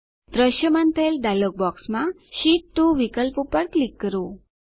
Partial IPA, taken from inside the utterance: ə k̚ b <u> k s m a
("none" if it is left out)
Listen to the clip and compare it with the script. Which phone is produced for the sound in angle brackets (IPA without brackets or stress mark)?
ɔ